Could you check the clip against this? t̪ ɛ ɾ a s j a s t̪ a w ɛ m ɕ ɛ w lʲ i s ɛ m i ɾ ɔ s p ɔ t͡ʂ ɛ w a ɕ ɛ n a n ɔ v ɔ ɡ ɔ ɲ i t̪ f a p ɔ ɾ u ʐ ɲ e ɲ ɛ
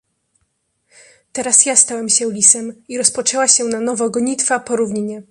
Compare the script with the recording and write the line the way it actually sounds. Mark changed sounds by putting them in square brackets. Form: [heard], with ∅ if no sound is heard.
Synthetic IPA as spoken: t̪ ɛ ɾ a s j a s t̪ a w ɛ m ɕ ɛ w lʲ i s ɛ m i ɾ ɔ s p ɔ t͡ʂ ɛ w a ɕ ɛ n a n ɔ v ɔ ɡ ɔ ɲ i t̪ f a p ɔ ɾ u [v] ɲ [i] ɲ ɛ